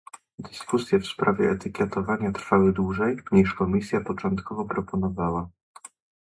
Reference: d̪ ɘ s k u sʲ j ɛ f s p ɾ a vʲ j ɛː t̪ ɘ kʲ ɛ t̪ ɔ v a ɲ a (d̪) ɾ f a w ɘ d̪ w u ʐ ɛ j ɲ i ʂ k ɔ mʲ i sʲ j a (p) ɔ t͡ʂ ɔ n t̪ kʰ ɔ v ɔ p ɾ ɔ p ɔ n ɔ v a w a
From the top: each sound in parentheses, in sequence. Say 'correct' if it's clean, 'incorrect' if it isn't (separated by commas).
incorrect, correct